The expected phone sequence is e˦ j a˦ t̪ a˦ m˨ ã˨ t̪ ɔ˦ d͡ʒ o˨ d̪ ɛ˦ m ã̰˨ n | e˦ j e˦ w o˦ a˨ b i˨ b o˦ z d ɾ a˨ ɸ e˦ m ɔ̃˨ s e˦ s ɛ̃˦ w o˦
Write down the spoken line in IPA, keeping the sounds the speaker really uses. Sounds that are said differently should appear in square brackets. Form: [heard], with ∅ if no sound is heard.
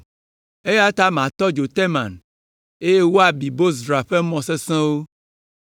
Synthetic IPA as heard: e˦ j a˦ t̪ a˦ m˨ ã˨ t̪ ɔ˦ d͡ʒ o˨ [t̪] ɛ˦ m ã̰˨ n | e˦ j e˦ w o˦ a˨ b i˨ b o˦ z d ɾ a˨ ɸ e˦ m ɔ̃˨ s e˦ s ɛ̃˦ w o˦